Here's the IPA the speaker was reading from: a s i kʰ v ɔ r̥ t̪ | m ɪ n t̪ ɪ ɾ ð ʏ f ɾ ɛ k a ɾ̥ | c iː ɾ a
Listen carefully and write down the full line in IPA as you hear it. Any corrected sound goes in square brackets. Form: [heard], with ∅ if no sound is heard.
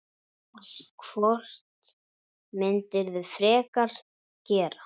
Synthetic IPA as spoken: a s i kʰ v ɔ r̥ t̪ | m ɪ n t̪ ɪ ɾ ð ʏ f ɾ [ɛː] k a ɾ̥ | c [ɛː] ɾ a